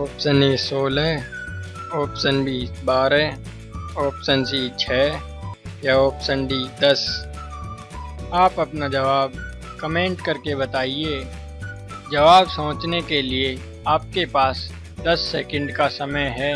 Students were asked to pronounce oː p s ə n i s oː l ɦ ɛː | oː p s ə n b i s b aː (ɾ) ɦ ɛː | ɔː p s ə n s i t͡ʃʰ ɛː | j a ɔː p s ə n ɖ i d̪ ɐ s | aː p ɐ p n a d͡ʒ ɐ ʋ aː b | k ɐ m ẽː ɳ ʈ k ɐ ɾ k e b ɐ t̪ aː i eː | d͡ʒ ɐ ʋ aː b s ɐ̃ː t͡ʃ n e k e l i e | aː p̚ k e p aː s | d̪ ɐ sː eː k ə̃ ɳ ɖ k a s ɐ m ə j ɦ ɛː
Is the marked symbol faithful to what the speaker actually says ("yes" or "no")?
yes